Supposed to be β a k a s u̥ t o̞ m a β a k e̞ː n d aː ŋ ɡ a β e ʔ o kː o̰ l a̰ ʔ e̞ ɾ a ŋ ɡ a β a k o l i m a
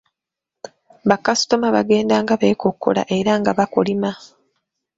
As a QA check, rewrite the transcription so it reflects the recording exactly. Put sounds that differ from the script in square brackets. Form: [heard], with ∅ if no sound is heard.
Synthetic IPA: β a k a s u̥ t o̞ m a β a [ɡ] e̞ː n d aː ŋ ɡ a β e [k] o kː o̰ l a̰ ʔ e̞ ɾ a ŋ ɡ a β a k o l i m a